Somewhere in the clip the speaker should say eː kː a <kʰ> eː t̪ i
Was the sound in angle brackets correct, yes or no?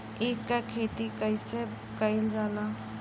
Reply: yes